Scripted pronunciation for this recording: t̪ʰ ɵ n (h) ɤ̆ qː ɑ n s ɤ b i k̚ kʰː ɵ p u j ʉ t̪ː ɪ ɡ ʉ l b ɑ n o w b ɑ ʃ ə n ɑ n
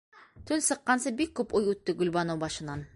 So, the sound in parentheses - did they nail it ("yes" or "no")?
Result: no